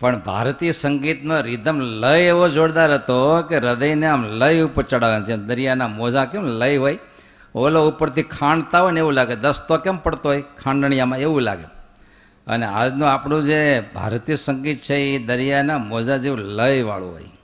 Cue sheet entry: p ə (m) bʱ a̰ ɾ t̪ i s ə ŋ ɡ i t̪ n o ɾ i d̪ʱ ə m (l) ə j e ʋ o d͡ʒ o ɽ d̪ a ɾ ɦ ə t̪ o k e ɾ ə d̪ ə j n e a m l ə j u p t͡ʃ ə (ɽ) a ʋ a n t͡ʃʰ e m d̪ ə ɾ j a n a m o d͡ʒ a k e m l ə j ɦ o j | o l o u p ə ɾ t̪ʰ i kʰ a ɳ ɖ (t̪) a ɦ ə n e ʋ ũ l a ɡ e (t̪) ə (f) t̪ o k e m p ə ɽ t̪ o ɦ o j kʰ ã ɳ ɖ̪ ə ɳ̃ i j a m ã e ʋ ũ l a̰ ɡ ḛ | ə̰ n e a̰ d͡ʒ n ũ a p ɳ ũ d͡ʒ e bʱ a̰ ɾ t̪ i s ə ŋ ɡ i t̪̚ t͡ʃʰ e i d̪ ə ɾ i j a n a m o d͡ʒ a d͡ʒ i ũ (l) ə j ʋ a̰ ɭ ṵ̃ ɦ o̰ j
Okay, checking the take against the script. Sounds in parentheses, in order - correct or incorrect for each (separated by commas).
incorrect, correct, correct, correct, incorrect, incorrect, correct